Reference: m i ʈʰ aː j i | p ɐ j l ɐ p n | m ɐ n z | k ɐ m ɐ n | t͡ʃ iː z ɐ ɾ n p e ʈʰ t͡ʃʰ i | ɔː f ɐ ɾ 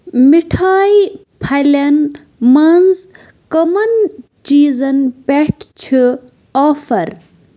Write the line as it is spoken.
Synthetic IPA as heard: m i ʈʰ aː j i | pʰ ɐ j l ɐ n | m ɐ n z | k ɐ m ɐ n | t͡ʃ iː z ɐ n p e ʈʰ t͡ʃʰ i | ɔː f ɐ ɾ